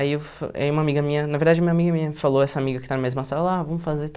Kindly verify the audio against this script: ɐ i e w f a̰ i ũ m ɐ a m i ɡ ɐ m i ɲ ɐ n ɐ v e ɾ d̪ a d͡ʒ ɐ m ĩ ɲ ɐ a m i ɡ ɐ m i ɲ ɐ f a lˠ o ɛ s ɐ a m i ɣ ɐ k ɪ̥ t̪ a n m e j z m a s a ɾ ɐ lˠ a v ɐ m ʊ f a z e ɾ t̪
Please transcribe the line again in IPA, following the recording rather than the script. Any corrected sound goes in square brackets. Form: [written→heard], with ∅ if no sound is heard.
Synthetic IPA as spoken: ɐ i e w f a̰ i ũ m ɐ a m i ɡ ɐ m i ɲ ɐ n ɐ v e ɾ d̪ a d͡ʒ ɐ m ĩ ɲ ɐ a m i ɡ ɐ m i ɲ ɐ f a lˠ o ɛ s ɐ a m i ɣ ɐ k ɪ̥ t̪ a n m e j z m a s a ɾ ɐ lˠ a v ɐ m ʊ f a z e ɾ t̪